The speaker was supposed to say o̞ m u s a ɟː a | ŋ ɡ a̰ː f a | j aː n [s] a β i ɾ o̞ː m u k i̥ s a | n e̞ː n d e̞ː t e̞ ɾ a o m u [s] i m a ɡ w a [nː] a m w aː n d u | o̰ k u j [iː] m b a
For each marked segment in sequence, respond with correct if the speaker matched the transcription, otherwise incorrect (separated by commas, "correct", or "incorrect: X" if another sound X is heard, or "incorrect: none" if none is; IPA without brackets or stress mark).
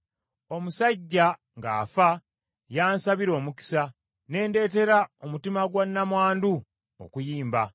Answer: correct, incorrect: t, correct, correct